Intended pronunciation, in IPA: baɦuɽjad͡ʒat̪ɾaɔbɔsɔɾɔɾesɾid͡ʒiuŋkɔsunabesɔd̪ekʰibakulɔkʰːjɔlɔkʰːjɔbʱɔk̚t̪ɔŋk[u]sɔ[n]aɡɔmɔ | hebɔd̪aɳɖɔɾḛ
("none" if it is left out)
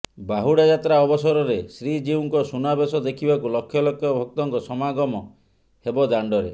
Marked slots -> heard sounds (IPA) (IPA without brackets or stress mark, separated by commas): ɔ, m